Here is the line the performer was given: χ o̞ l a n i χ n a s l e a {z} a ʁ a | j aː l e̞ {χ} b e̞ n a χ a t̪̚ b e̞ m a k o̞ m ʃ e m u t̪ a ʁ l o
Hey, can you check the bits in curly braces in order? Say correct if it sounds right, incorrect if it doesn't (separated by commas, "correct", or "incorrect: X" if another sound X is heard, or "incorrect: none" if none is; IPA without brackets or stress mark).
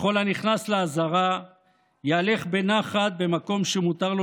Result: correct, correct